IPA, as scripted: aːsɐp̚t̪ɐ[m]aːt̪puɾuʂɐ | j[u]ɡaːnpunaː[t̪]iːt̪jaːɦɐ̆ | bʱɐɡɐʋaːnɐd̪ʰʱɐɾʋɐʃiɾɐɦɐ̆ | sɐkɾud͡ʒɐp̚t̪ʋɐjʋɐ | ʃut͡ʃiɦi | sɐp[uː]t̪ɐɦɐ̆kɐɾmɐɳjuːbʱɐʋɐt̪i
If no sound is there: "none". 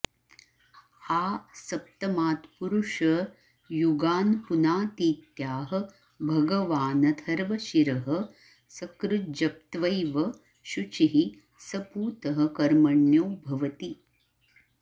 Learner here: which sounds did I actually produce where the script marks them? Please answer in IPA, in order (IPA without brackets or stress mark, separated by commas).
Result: m, u, t̪, uː